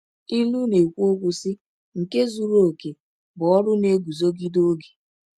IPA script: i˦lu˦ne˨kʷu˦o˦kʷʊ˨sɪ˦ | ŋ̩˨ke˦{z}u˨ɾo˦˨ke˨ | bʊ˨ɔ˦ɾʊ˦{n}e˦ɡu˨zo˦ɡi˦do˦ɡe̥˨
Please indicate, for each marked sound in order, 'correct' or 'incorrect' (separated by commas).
correct, correct